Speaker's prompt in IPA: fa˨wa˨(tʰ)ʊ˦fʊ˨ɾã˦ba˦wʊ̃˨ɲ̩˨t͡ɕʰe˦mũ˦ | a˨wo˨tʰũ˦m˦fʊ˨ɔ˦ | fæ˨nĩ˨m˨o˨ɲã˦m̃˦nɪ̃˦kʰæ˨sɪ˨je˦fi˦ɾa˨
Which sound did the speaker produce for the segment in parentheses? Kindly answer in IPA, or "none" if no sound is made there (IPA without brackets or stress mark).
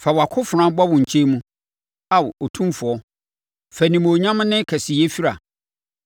kʰ